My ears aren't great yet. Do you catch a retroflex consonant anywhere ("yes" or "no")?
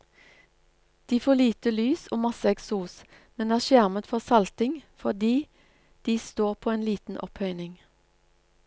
no